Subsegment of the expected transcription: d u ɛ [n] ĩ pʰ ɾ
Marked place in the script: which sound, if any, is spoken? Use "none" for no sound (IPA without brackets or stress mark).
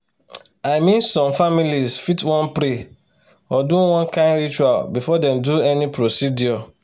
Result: n